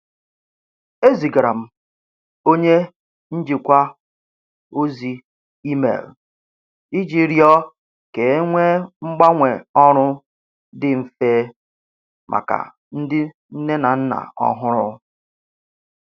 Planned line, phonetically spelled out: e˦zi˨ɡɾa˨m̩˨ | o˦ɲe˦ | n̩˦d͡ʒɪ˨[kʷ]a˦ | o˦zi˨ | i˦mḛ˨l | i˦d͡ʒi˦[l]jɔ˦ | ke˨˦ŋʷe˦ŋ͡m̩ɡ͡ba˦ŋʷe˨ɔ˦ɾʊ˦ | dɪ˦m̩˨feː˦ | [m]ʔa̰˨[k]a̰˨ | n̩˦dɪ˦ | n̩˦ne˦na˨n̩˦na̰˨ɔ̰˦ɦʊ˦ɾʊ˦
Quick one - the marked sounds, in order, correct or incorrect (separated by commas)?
correct, incorrect, correct, correct